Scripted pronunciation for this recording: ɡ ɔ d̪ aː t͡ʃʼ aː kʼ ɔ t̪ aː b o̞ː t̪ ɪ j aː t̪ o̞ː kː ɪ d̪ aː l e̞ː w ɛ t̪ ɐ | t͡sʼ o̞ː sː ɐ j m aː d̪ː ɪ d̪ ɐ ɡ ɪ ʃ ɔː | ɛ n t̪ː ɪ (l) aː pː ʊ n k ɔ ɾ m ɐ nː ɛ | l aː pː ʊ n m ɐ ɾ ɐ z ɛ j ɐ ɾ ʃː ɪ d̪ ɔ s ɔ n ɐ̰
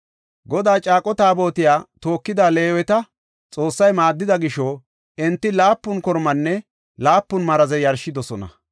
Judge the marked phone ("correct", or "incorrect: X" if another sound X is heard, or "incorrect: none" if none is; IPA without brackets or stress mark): correct